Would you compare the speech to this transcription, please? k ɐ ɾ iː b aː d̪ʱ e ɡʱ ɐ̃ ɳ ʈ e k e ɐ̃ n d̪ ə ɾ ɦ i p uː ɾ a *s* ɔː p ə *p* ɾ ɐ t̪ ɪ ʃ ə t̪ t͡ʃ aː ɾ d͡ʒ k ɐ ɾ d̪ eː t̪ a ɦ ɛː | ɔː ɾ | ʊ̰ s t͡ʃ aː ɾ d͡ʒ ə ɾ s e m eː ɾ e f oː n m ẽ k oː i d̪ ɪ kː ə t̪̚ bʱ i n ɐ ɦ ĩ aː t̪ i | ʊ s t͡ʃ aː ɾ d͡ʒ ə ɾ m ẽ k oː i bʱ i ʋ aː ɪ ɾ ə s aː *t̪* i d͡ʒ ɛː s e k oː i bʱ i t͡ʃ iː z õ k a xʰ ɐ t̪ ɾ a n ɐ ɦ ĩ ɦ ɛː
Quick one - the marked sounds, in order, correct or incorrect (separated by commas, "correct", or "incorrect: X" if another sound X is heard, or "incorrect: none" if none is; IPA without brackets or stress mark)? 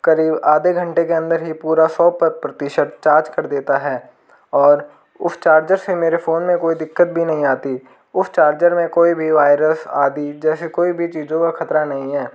correct, correct, incorrect: d̪